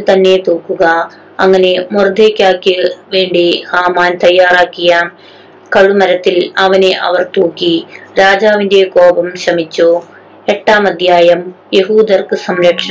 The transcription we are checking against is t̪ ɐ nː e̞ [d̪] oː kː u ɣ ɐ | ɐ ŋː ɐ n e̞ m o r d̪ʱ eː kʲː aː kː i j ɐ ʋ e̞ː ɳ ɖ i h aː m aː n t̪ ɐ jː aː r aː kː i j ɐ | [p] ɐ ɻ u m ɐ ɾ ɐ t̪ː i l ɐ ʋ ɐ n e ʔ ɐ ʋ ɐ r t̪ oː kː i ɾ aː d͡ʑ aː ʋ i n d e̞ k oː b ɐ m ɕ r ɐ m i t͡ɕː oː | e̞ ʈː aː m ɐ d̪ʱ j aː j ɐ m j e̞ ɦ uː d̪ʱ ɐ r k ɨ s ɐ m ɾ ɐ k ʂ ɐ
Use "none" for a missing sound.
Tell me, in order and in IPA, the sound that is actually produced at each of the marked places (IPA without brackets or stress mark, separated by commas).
t̪, k